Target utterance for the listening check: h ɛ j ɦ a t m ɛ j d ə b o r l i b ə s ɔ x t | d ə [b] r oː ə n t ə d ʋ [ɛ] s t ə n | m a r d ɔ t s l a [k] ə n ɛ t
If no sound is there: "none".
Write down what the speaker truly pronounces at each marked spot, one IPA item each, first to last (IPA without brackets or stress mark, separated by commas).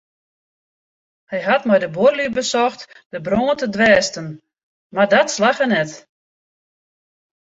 b, ɛː, x